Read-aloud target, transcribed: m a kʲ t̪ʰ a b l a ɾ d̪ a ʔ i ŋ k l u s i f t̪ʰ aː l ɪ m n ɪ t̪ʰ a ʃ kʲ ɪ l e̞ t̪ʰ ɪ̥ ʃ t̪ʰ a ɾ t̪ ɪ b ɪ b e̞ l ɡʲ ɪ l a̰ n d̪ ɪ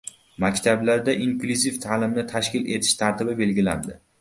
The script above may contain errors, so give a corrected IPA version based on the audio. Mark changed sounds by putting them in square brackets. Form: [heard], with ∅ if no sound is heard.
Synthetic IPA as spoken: m a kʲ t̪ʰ a b l a ɾ d̪ a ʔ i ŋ k l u [z] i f t̪ʰ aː l ɪ m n ɪ t̪ʰ a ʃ kʲ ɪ l e̞ t̪ʰ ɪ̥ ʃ t̪ʰ a ɾ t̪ ɪ b ɪ b e̞ l ɡʲ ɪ l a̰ n d̪ ɪ